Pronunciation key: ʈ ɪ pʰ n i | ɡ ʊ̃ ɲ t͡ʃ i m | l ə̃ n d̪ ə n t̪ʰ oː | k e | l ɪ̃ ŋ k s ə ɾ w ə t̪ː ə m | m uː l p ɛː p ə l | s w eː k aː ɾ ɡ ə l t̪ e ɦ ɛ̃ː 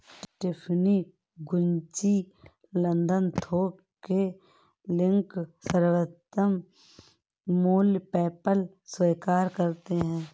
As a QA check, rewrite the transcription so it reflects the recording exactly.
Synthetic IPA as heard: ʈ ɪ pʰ n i | ɡ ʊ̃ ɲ t͡ʃ i | l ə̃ n d̪ ə n t̪ʰ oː | k e | l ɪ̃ ŋ k s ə ɾ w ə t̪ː ə m | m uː l p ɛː p ə l | s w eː k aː ɾ k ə ɾ t̪ e ɦ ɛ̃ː